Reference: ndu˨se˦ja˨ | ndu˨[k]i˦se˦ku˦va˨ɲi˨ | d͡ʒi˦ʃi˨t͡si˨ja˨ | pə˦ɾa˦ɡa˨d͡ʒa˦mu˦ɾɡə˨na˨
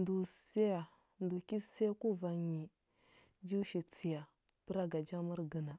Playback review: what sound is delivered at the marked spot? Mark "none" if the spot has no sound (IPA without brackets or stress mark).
k